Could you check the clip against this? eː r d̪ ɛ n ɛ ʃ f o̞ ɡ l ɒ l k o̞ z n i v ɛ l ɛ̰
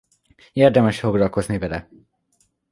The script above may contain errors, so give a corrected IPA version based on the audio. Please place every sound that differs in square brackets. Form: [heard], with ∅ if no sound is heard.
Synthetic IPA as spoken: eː r d̪ ɛ [m] ɛ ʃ f o̞ ɡ l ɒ l k o̞ z n i v ɛ l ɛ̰